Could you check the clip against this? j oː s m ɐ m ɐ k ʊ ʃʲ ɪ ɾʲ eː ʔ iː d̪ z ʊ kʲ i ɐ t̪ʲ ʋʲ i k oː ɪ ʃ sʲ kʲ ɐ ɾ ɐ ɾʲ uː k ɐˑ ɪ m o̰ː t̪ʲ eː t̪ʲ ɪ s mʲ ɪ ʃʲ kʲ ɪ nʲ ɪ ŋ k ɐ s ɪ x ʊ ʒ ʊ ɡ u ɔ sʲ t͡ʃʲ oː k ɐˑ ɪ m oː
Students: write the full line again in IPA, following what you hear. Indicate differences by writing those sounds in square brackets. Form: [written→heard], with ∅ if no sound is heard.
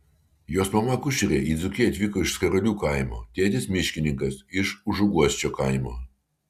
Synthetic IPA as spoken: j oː s m ɐ m ɐ k ʊ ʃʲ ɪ ɾʲ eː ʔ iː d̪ z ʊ kʲ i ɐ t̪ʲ ʋʲ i k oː ɪ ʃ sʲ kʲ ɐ ɾ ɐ [ɾʲ→lʲ] uː k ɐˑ ɪ m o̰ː t̪ʲ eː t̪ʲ ɪ s mʲ ɪ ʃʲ kʲ ɪ nʲ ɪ ŋ k ɐ s ɪ [x→ʃ] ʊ ʒ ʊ ɡ u ɔ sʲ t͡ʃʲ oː k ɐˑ ɪ m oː